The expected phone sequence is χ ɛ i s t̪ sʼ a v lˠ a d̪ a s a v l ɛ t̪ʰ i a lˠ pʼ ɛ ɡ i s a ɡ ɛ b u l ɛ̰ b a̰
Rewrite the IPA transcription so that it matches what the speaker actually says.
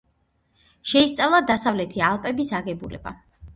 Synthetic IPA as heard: ʃ ɛ i s t̪ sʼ a v lˠ a d̪ a s a v l ɛ t̪ʰ i a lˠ pʼ ɛ b i s a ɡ ɛ b u l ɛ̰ b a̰